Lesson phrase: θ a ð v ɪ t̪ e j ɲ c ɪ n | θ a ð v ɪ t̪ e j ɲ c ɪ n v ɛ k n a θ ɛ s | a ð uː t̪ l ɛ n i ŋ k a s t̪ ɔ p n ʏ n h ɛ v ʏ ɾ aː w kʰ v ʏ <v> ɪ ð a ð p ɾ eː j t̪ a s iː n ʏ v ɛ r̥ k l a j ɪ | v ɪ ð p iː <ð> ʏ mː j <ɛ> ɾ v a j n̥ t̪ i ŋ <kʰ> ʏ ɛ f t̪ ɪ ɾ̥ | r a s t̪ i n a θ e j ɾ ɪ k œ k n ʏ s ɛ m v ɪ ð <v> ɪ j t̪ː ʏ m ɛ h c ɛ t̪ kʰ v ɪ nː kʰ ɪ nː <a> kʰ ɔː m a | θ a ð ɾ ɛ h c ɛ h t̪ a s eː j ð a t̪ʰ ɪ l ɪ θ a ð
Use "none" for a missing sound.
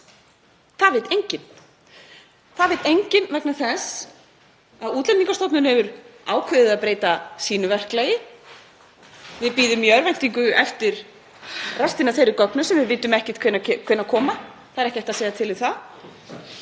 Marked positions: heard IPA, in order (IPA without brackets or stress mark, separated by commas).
ð, ð, œ, k, v, a